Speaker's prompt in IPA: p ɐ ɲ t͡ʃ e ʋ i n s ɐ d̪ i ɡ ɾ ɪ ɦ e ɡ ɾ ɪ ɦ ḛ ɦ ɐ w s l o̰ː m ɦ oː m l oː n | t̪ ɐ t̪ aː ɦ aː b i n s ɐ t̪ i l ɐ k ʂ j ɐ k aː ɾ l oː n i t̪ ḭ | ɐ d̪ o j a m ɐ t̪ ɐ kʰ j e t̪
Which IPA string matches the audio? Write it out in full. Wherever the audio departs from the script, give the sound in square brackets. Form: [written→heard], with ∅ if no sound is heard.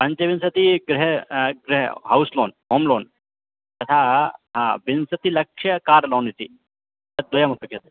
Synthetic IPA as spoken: p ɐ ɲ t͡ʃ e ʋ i n s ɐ [d̪→t̪] i ɡ ɾ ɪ ɦ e ɡ ɾ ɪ ɦ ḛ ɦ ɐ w s l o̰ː [m→n] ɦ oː m l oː n | t̪ ɐ [t̪→t̪ʰ] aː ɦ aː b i n s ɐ t̪ i l ɐ k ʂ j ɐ k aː ɾ l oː n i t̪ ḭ | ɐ d̪ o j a m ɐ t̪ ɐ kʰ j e t̪